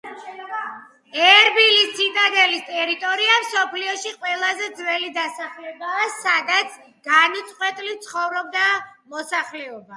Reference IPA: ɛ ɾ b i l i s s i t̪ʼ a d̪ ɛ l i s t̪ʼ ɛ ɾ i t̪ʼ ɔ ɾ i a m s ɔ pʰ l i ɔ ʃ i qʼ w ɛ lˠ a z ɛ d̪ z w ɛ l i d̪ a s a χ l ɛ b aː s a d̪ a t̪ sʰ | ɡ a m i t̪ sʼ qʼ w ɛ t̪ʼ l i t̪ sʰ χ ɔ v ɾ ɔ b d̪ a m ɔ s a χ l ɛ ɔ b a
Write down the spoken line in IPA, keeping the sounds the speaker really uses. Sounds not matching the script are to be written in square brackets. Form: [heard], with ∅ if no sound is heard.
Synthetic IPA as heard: ɛ ɾ b i l i s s i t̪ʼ a d̪ ɛ l i s t̪ʼ ɛ ɾ i t̪ʼ ɔ ɾ i a m s ɔ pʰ l i ɔ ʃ i qʼ w ɛ lˠ a z ɛ d̪ z w ɛ l i d̪ a s a χ l ɛ b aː s a d̪ a t̪ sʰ | ɡ a [n] i t̪ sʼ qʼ w ɛ t̪ʼ l i t̪ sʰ χ ɔ v ɾ ɔ b d̪ a m ɔ s a χ l ɛ ɔ b a